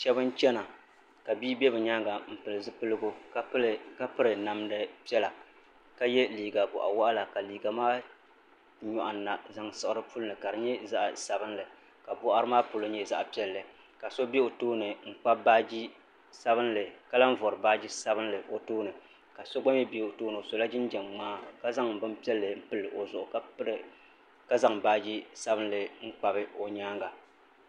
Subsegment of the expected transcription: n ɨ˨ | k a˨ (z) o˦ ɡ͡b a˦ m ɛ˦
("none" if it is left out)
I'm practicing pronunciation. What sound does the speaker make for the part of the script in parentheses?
s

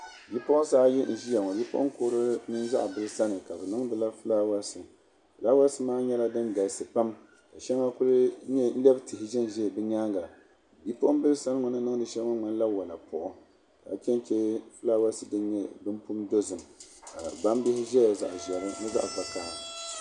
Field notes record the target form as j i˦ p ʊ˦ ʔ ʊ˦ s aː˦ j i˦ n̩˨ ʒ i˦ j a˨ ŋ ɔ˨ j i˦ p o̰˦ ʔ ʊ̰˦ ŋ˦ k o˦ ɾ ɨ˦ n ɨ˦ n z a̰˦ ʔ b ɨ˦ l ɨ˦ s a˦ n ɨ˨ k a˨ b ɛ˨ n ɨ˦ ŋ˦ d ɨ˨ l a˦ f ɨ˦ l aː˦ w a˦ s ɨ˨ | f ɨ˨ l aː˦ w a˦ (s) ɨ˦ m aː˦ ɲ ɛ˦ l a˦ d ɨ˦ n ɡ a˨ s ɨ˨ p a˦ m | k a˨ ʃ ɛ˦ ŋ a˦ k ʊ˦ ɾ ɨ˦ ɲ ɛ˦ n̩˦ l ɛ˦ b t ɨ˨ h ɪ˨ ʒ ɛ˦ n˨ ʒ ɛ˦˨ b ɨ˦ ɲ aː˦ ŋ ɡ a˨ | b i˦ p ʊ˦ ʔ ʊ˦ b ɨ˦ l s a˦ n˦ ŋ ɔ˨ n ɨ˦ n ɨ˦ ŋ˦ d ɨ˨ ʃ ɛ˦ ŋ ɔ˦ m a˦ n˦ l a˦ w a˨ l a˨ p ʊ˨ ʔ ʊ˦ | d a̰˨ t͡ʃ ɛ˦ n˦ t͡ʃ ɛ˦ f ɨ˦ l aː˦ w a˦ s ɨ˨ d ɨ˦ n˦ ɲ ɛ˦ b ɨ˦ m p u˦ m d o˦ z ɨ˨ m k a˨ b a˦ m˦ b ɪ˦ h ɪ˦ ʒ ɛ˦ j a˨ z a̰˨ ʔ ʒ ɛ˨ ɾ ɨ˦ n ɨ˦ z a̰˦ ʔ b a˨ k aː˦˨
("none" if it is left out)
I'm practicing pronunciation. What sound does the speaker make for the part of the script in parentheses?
s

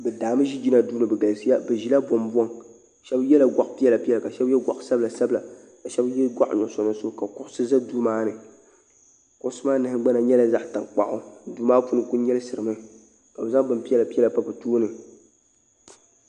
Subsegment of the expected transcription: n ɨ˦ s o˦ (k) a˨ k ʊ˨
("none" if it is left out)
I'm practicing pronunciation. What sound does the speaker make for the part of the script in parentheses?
k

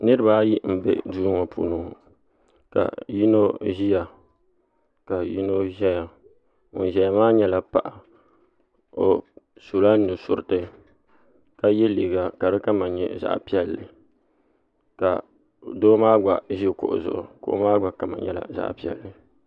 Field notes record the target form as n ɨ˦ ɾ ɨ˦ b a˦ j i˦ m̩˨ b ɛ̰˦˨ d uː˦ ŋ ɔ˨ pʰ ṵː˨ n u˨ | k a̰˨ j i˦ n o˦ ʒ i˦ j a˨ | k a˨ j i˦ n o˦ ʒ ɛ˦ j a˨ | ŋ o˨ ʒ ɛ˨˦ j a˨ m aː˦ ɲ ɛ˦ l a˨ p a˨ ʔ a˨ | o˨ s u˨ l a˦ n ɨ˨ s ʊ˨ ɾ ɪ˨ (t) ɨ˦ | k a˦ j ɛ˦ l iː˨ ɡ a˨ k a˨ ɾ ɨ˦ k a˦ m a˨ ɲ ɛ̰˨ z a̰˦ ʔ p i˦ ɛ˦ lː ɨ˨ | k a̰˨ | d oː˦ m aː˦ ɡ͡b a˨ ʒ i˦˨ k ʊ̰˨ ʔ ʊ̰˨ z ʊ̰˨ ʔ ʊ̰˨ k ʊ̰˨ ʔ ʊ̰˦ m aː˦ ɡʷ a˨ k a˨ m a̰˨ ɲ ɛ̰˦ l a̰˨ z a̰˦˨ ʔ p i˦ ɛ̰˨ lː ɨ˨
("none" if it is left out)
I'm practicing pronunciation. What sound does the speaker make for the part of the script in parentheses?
t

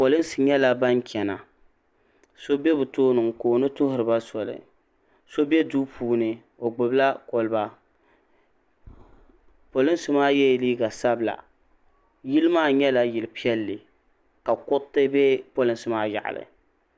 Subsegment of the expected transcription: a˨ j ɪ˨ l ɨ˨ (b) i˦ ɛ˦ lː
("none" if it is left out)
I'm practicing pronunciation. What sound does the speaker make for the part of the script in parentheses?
p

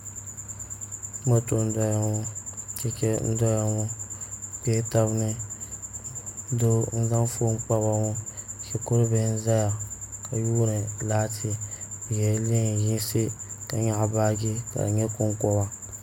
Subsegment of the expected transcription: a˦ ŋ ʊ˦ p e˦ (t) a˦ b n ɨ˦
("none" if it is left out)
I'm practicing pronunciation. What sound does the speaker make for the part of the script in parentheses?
t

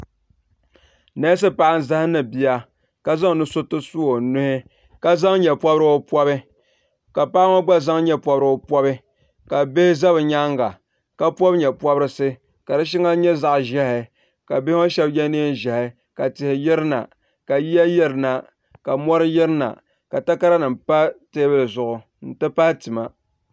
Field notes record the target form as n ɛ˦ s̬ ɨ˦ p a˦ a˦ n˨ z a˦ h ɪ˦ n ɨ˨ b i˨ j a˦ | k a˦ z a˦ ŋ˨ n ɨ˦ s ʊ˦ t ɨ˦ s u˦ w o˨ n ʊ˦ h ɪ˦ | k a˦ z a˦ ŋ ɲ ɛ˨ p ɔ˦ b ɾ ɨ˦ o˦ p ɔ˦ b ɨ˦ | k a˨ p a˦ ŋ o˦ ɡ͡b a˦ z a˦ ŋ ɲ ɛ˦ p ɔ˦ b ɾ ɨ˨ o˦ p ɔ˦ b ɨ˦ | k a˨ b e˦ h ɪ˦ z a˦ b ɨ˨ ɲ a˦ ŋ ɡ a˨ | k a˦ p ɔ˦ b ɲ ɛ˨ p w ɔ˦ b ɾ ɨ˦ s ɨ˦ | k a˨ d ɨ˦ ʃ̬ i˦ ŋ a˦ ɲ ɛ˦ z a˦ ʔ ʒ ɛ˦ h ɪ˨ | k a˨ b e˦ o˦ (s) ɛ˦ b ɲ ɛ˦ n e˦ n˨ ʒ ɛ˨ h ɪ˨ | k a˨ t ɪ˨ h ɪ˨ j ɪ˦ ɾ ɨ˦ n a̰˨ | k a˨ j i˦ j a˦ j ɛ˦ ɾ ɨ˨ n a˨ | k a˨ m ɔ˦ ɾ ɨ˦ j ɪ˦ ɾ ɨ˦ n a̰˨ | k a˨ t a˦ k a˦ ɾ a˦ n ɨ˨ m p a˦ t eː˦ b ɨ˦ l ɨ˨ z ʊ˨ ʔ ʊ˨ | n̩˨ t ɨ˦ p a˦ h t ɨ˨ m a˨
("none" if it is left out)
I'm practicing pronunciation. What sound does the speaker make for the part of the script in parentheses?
ʃ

